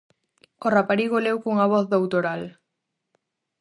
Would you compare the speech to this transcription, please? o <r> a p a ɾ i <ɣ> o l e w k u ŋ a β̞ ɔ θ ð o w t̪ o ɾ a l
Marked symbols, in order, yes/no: yes, yes

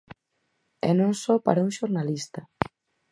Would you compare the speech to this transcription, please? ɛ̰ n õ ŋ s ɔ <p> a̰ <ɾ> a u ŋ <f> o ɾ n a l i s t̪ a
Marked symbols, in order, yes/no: yes, yes, no

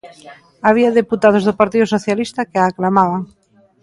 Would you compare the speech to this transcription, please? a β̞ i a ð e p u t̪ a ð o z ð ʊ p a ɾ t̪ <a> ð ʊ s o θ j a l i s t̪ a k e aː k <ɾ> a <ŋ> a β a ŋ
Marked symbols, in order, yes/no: no, no, no

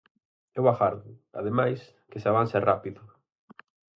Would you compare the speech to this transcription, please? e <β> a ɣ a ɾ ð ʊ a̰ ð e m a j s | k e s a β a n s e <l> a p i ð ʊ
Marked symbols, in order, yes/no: no, no

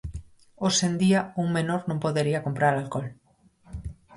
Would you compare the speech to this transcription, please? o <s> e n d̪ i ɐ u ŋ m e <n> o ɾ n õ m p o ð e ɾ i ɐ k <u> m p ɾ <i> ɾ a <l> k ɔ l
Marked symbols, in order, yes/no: yes, yes, no, no, yes

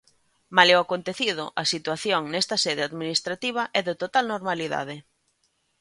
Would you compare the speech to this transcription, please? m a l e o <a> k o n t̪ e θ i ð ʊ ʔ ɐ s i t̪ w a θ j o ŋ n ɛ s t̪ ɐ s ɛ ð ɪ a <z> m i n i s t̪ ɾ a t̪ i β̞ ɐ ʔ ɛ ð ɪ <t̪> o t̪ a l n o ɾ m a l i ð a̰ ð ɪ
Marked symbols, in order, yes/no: yes, no, yes

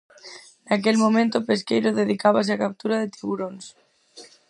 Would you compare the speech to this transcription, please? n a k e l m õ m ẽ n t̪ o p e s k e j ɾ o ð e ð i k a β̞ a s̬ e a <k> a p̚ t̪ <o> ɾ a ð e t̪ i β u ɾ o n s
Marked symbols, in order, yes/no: yes, no

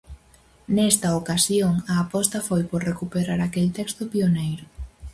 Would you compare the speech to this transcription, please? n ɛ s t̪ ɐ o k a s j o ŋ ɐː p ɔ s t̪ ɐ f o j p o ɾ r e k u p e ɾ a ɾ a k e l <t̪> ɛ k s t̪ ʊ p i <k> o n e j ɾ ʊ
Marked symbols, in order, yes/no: yes, no

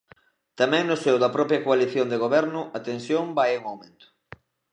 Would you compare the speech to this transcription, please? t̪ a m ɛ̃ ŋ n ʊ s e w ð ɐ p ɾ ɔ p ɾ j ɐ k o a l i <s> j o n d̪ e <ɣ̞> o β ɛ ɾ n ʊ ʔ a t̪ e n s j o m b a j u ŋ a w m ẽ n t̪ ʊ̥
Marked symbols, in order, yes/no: no, yes

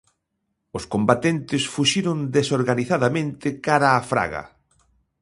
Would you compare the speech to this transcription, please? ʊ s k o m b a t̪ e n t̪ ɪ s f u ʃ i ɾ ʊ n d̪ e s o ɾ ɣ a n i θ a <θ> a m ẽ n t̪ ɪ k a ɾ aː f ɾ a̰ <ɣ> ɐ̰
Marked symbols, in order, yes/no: no, yes

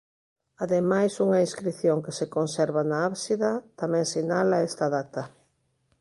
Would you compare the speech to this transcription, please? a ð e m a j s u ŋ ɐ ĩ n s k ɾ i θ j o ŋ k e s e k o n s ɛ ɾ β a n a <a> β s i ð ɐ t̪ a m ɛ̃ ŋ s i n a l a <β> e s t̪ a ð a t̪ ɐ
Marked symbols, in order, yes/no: yes, no

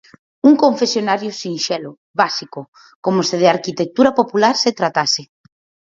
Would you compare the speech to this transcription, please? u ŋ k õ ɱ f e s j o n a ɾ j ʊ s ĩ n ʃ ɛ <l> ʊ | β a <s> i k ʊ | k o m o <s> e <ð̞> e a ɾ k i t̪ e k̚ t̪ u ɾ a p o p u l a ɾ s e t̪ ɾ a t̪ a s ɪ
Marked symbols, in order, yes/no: yes, yes, yes, yes

